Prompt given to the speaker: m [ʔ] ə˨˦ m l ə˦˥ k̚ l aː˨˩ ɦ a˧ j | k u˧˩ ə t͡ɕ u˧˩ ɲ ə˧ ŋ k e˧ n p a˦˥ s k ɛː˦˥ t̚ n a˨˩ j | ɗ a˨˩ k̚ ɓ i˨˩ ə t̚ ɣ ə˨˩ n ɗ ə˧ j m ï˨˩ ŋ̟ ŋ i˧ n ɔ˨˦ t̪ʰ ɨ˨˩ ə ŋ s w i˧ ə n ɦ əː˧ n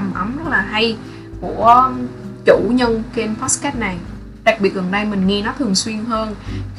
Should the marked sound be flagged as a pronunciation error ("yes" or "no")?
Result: no